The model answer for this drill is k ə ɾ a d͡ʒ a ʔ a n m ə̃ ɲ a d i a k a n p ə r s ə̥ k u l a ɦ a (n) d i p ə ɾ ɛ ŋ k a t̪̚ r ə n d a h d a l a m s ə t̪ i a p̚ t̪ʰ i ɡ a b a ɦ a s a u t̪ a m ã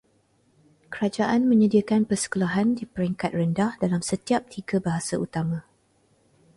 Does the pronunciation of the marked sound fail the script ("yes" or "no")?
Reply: no